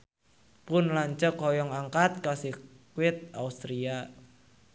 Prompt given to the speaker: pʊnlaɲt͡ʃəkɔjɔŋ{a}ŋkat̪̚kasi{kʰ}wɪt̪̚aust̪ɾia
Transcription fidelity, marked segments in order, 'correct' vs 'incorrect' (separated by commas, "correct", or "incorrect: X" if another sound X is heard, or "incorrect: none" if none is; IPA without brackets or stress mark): correct, incorrect: k